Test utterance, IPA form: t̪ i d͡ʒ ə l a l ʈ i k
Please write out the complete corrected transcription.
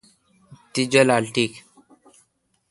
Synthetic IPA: t̪ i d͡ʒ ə l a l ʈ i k